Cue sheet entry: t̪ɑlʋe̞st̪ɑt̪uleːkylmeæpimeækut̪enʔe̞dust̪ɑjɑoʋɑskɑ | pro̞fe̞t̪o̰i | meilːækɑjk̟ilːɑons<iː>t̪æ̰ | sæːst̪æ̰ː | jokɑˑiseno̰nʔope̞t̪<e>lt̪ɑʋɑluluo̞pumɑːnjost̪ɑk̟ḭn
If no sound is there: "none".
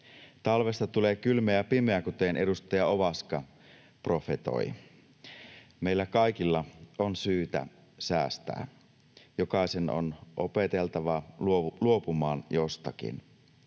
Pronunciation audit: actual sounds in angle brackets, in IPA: yː, e

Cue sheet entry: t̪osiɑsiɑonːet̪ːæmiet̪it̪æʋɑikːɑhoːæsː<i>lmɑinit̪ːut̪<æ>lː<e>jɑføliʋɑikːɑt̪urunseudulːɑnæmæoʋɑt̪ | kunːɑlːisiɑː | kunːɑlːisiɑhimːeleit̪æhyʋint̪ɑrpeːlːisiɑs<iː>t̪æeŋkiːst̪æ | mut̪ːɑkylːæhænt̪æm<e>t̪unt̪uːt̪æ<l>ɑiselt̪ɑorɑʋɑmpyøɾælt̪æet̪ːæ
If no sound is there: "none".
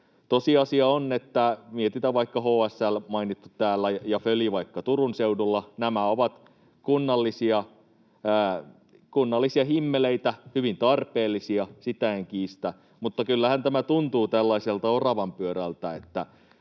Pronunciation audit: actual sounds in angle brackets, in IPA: æ, æː, æ, i, æ, lː

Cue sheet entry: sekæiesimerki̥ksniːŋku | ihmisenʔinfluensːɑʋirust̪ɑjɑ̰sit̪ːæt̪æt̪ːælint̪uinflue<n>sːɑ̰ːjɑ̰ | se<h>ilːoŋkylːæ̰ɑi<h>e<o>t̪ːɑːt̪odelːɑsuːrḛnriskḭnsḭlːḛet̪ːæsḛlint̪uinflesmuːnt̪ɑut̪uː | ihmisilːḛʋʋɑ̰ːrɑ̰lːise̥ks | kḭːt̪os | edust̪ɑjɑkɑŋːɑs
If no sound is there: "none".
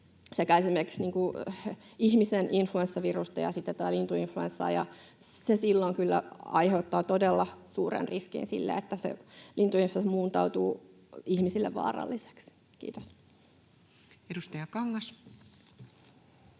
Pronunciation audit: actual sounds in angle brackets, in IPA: n, s, h, u

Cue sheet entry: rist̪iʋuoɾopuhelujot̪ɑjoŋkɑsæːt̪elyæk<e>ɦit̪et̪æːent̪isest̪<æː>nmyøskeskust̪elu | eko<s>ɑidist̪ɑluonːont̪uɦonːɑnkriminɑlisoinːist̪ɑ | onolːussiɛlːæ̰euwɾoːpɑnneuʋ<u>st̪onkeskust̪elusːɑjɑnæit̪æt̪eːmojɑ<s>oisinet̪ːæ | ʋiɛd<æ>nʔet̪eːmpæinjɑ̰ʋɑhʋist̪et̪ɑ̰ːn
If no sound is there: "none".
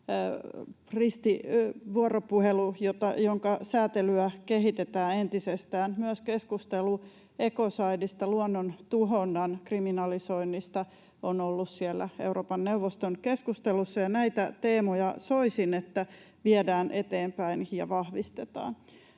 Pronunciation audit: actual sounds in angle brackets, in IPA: e, æː, s, o, s, æː

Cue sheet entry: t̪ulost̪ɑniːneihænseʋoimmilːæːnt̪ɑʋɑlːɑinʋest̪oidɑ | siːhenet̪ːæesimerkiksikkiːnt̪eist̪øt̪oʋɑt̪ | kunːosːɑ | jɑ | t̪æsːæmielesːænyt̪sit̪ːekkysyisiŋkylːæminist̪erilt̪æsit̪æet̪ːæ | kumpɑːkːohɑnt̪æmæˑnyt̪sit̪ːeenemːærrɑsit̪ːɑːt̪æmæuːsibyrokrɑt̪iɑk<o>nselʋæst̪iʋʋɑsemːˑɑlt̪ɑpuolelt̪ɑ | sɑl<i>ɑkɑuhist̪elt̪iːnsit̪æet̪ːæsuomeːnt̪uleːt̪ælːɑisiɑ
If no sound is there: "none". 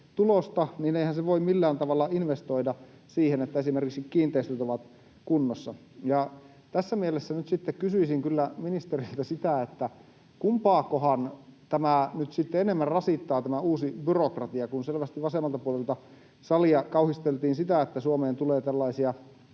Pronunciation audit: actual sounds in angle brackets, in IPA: u, i

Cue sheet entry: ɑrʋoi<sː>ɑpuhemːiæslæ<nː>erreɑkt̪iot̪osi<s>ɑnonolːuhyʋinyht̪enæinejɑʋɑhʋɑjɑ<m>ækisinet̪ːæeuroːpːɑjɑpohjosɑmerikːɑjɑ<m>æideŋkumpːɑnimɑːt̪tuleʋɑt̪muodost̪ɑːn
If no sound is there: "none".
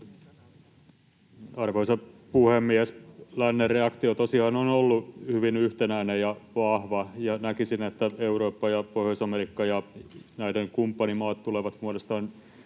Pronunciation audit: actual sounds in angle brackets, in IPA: s, nː, h, n, n

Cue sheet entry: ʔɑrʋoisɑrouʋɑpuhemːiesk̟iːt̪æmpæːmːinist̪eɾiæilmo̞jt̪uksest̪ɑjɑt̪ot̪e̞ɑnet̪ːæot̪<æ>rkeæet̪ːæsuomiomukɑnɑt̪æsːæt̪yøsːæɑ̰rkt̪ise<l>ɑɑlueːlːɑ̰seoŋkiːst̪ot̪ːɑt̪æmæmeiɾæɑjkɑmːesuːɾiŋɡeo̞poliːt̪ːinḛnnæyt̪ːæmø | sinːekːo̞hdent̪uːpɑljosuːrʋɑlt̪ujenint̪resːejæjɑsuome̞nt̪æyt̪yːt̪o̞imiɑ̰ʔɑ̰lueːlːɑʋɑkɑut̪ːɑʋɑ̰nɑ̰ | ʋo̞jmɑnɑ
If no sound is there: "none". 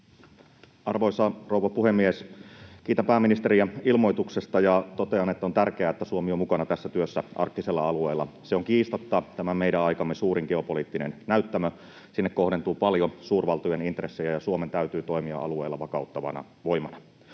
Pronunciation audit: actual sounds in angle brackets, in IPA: æ, lː

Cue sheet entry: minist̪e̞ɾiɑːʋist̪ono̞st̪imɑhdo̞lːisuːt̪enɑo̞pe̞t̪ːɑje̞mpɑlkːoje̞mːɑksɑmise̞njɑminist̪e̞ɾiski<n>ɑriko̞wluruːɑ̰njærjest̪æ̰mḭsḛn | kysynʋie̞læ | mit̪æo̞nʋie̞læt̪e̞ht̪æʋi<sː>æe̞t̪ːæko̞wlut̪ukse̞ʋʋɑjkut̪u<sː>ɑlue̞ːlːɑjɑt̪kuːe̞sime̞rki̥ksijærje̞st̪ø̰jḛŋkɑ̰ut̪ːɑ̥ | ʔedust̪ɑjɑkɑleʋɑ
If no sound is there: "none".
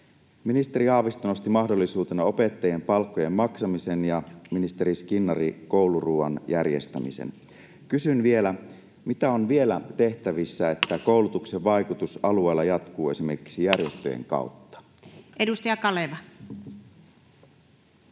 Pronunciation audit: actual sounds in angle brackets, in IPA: nː, sː, s

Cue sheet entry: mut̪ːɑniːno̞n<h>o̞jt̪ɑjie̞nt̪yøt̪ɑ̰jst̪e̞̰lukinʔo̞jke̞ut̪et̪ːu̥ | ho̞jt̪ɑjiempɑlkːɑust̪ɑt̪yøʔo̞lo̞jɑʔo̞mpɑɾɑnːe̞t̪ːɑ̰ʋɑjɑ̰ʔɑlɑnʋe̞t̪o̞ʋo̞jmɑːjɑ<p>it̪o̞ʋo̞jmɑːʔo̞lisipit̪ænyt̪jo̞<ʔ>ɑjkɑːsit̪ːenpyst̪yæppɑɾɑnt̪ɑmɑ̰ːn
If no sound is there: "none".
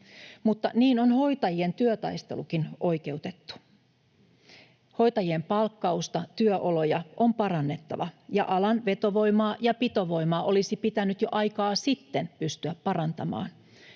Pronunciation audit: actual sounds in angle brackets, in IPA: h, p, ʔ

